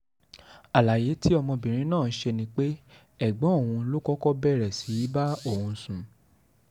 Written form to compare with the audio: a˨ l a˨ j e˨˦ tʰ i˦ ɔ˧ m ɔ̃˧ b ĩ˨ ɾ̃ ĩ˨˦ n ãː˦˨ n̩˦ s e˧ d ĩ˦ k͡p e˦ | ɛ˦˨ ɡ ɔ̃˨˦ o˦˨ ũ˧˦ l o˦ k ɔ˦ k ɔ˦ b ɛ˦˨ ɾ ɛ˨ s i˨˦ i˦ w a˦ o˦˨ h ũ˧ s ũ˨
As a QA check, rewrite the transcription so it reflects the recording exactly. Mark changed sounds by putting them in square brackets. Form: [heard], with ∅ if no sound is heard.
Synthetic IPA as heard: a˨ l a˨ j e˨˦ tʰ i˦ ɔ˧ m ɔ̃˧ b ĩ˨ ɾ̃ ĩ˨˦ n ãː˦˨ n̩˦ [ʃ] e˧ [n] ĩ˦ k͡p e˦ | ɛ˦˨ [ɡ͡b] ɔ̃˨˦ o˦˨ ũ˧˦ l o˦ k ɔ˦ k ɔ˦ b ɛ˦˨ ɾ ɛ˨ s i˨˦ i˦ [b] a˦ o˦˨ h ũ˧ s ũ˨